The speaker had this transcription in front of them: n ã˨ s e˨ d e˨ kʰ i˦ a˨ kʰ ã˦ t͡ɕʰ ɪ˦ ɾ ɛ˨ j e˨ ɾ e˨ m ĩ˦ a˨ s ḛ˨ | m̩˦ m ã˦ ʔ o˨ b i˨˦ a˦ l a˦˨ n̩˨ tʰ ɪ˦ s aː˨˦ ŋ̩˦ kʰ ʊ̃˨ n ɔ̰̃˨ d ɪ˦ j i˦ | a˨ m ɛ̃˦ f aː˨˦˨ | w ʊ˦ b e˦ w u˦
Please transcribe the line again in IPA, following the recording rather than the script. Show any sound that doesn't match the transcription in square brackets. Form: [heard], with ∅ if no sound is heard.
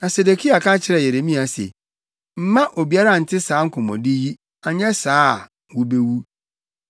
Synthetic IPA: n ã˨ s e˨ d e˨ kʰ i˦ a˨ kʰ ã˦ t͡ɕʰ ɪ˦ ɾ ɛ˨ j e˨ ɾ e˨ m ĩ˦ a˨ s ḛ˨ | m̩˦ m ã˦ ʔ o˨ b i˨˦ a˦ [ɾ] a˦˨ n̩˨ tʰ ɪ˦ s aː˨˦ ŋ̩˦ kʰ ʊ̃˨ [m] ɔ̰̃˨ d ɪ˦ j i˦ | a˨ [ɲ] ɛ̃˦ [s] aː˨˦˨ | w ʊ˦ b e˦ w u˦